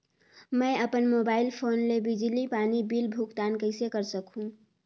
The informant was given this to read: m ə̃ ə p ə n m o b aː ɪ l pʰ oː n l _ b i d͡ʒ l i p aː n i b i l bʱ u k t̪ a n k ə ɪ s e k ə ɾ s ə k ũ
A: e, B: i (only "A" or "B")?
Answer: A